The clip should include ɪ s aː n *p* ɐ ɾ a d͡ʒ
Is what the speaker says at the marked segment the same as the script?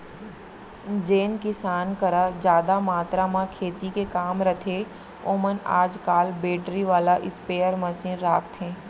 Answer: no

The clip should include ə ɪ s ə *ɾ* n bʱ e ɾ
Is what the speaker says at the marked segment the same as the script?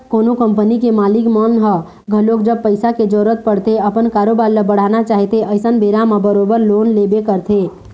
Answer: no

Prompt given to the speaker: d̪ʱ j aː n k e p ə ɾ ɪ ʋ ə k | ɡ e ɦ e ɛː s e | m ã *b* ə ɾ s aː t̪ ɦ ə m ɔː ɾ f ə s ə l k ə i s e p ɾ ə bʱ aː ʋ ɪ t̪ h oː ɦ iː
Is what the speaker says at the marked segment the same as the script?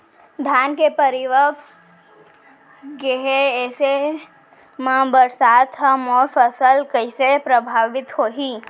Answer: yes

